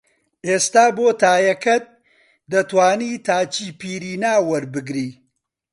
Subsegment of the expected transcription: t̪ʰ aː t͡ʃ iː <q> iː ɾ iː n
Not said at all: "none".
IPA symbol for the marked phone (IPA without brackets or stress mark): p